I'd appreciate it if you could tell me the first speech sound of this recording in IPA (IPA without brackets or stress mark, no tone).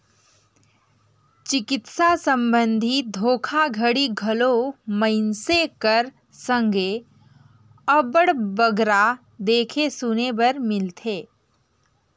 t͡ʃ